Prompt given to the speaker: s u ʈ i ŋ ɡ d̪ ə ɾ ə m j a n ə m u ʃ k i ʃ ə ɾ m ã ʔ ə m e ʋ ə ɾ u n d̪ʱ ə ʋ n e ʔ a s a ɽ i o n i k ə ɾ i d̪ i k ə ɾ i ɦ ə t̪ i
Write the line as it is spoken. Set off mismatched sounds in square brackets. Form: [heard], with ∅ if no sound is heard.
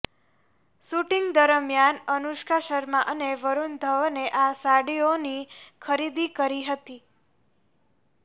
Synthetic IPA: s u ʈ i ŋ ɡ d̪ ə ɾ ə m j a n ə [n] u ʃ k [a] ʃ ə ɾ m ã ʔ ə [n] e ʋ ə ɾ u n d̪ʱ ə ʋ n e ʔ a s a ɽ i o n i [kʰ] ə ɾ i d̪ i k ə ɾ i ɦ ə t̪ i